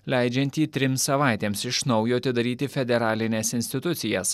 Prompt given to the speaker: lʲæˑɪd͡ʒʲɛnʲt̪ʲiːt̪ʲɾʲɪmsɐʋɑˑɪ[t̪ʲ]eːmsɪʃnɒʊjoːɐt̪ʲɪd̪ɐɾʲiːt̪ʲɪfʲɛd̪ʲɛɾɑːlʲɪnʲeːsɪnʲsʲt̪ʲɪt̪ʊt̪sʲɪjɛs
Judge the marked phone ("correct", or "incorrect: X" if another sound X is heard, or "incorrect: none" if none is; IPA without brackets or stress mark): correct